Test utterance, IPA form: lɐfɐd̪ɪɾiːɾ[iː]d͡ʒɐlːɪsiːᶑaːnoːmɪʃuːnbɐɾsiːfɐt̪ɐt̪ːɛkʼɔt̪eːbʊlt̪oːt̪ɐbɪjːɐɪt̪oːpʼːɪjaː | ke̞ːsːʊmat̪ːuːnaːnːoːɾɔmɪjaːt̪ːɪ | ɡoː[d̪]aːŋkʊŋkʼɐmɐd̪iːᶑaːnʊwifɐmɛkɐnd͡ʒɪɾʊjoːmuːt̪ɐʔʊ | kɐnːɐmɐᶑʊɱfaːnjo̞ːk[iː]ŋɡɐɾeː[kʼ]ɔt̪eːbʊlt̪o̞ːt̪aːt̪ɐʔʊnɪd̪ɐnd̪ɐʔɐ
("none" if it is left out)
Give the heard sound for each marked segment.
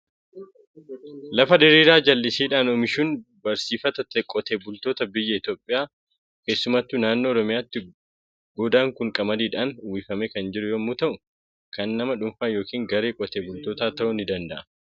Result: aː, d̪, iː, kʼ

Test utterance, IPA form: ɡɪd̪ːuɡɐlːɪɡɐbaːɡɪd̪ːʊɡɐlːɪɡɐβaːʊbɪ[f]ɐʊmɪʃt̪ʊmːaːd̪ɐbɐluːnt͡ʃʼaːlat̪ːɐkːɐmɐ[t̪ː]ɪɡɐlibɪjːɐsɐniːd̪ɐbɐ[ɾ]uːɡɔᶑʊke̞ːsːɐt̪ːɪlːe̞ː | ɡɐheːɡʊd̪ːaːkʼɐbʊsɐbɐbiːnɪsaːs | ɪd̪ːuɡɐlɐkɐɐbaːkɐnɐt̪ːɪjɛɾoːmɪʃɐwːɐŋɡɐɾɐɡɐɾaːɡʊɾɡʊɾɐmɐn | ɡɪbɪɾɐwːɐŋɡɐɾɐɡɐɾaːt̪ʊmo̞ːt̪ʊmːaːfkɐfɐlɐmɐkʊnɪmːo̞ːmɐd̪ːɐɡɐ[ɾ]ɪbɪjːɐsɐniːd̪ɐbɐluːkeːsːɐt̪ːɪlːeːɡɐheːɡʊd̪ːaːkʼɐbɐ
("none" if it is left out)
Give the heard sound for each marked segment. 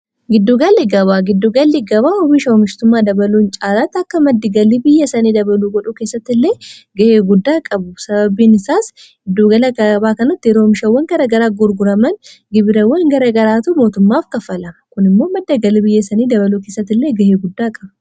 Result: ʃ, d̪ː, l, l

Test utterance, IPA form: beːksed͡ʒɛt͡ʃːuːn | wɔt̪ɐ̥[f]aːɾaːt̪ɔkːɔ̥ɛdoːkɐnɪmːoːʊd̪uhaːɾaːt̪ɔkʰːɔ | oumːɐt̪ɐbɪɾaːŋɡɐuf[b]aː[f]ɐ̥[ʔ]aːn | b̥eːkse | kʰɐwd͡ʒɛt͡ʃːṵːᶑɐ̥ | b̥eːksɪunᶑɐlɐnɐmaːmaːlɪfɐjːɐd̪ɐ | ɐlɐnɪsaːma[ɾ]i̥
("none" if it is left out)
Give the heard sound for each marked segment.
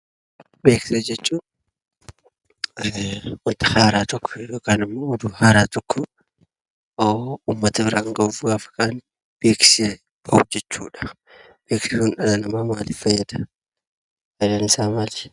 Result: h, ɡ, f, k, l

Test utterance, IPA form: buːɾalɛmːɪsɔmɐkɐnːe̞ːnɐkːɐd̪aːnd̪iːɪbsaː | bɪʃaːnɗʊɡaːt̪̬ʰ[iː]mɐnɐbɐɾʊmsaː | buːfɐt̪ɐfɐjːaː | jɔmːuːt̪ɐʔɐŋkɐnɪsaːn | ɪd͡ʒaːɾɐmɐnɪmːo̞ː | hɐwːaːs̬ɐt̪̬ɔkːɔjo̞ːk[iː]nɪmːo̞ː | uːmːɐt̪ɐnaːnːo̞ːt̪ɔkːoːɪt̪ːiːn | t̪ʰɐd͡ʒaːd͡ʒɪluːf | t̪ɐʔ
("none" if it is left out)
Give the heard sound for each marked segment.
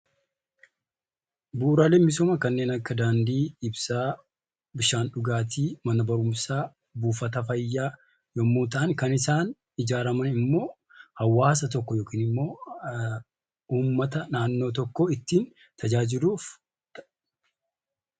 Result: iː, iː

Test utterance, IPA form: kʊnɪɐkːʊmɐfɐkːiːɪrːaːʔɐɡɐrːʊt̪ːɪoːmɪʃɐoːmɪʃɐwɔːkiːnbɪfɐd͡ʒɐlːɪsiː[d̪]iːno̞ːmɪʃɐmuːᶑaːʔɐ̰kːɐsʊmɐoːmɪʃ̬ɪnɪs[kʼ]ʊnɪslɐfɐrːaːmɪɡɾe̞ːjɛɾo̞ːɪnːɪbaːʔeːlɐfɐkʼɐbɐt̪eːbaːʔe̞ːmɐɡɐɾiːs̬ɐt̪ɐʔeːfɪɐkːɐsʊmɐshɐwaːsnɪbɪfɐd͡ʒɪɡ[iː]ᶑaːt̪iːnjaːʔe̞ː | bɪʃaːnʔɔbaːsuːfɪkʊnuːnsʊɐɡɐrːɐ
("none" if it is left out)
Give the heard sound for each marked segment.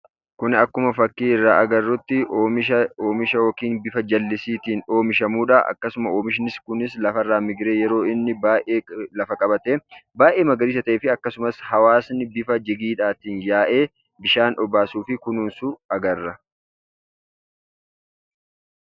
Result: t̪, k, iː

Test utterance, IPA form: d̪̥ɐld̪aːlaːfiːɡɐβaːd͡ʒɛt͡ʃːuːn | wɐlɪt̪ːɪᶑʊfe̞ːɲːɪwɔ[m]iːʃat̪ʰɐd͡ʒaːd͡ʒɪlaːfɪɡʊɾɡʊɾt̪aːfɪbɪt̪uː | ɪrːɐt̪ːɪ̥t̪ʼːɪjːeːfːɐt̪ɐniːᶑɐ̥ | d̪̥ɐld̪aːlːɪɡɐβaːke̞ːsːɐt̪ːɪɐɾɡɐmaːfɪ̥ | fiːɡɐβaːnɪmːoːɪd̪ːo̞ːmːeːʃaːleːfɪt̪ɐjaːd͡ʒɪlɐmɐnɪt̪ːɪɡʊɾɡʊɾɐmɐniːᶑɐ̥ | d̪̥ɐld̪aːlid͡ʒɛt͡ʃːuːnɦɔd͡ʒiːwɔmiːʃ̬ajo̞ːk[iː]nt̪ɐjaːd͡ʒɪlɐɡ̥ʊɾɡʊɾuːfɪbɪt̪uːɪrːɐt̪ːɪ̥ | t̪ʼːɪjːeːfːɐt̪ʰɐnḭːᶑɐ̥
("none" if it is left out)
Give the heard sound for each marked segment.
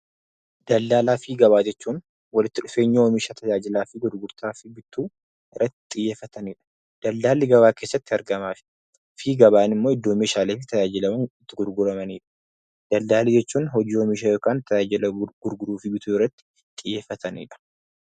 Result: m, aː

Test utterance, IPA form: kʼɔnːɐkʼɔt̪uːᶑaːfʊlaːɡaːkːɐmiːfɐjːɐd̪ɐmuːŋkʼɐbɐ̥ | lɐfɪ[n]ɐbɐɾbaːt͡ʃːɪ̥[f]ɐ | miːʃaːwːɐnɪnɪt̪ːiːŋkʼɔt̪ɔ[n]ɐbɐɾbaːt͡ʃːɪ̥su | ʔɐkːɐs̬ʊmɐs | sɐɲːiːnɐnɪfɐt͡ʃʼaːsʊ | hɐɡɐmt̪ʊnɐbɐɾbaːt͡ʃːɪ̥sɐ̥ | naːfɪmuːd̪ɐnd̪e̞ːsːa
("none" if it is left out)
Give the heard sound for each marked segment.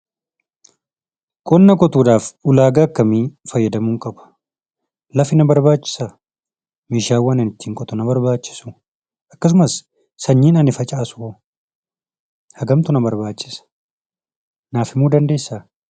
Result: n, s, n

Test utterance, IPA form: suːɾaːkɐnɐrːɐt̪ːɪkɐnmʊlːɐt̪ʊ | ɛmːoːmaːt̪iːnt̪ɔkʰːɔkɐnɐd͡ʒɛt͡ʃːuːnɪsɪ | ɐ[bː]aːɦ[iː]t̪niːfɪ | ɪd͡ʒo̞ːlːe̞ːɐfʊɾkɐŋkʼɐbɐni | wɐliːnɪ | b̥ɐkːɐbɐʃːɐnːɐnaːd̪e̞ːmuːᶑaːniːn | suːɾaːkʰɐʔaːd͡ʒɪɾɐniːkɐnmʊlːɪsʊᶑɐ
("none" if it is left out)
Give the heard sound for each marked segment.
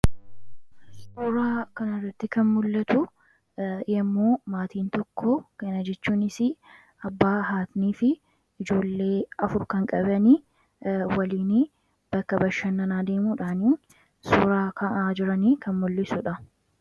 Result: bː, aː

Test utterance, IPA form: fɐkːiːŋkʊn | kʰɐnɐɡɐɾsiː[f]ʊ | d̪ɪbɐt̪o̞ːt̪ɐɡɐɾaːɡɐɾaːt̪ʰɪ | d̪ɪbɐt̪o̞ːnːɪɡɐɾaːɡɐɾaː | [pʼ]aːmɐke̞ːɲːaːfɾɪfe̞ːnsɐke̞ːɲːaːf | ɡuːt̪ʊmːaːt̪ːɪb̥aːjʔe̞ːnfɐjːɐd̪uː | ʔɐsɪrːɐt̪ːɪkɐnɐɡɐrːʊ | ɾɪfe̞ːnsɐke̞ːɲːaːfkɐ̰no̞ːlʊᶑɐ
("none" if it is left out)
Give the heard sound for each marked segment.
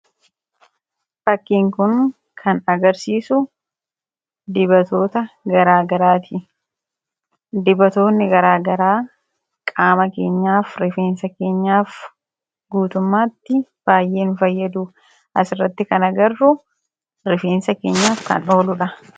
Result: s, kʼ

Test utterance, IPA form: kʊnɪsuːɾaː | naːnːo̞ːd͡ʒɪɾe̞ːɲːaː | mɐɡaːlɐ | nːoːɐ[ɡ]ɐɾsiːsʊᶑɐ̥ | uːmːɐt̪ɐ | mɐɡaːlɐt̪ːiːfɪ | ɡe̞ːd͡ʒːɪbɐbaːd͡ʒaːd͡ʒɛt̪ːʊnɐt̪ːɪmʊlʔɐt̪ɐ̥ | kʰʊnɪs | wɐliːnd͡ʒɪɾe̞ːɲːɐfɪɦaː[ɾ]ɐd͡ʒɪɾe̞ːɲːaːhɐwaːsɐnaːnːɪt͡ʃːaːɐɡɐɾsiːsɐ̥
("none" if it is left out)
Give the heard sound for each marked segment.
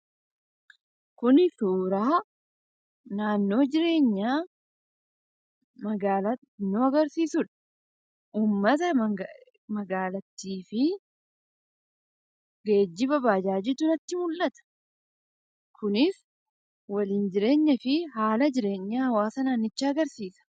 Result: ɡ, l

